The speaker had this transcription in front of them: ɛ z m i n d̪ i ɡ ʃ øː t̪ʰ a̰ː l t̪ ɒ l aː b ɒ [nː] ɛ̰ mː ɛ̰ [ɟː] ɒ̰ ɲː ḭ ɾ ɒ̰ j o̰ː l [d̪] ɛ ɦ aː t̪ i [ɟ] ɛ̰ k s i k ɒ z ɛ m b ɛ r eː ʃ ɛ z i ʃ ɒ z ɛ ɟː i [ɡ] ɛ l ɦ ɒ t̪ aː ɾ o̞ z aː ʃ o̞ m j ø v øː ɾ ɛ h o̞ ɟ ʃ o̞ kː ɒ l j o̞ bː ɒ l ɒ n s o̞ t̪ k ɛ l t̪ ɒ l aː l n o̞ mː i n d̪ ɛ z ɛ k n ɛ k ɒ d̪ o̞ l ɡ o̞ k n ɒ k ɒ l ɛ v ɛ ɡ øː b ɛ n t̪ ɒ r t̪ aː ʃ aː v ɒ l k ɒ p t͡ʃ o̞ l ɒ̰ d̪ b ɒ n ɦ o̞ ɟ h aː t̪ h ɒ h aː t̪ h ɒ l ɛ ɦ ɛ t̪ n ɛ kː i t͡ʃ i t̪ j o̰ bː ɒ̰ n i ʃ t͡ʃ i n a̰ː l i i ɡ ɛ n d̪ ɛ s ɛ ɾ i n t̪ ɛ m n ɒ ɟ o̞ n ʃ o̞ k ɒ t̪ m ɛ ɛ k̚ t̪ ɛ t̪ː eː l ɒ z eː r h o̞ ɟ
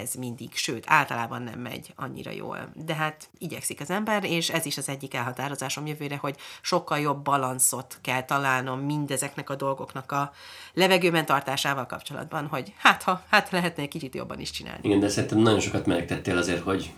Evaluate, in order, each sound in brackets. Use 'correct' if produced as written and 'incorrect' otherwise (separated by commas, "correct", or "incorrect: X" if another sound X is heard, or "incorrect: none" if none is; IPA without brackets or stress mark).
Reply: correct, incorrect: ɟ, correct, correct, incorrect: k